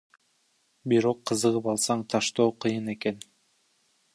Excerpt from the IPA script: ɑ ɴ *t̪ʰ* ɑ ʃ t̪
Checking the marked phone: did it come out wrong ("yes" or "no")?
no